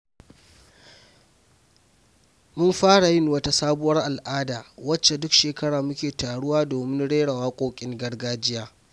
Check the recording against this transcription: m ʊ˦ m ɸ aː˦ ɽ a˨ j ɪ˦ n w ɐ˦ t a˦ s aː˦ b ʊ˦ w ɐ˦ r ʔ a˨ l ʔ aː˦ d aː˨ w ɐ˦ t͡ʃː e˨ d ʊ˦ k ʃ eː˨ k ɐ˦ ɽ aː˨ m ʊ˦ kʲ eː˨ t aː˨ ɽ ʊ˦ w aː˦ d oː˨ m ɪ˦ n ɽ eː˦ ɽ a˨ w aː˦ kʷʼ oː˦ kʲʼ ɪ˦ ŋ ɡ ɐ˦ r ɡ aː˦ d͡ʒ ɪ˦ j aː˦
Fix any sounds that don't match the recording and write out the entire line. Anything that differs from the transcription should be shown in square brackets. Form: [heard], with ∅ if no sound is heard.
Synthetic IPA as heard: m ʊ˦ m ɸ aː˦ ɽ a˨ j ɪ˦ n w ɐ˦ t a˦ s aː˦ b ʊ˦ w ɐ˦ r ʔ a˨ l ʔ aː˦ d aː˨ w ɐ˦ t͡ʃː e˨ d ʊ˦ k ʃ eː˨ k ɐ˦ ɽ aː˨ m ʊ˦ kʲ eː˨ t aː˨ ɽ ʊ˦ w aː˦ d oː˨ m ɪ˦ n ɽ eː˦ ɽ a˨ w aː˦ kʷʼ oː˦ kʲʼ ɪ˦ ŋ ɡ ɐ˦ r ɡ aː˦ d͡ʒ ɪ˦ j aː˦